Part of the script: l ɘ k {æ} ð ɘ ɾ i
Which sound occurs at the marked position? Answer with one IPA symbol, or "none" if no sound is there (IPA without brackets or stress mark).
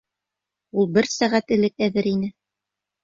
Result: æ